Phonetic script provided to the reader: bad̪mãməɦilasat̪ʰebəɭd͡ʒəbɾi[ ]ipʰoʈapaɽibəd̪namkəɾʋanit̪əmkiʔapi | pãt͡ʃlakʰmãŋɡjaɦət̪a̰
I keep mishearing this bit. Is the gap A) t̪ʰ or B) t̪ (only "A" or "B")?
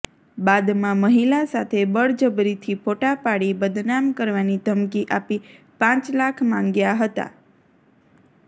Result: A